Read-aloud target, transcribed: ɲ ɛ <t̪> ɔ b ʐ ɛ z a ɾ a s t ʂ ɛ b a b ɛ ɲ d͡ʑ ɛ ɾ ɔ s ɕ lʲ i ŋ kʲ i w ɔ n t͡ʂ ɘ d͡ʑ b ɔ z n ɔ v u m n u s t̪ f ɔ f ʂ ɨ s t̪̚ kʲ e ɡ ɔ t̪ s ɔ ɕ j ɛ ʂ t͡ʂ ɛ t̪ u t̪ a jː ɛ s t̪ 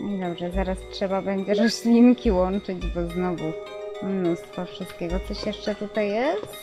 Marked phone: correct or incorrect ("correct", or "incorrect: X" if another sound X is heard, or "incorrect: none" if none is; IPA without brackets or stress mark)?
incorrect: d̪